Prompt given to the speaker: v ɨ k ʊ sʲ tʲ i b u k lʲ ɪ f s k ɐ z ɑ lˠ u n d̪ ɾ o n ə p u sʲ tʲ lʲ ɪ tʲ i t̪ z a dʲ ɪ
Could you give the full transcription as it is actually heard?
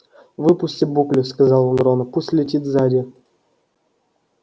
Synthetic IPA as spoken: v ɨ p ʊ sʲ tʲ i b u k lʲ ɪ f s k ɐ z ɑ lˠ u n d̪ ɾ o n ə p u sʲ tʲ lʲ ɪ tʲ i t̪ z a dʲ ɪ